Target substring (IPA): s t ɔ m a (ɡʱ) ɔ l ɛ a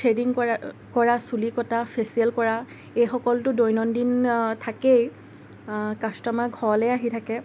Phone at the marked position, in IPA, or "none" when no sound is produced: ɡʱ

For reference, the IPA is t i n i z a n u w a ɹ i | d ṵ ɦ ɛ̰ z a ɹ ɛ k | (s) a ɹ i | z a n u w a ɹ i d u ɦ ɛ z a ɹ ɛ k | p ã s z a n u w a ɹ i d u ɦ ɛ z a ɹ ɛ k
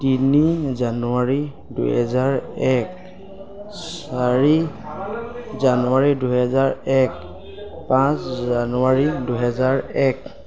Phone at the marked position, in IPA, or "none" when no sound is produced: s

